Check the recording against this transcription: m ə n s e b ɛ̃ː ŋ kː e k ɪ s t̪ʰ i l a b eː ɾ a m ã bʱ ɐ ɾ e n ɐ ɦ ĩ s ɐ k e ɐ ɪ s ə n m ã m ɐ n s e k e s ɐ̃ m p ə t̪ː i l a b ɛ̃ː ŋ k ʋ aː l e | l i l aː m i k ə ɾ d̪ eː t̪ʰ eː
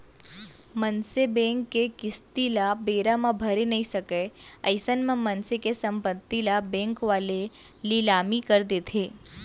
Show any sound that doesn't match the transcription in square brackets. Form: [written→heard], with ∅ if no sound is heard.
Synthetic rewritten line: m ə n s e b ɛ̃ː ŋ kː e k ɪ s [t̪ʰ→t̪] i l a b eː ɾ a m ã bʱ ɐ ɾ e n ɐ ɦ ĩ s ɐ k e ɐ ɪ s ə n m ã m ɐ n s e k e s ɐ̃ m p ə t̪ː i l a b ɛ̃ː ŋ k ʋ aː l e | l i l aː m i k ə ɾ d̪ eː t̪ʰ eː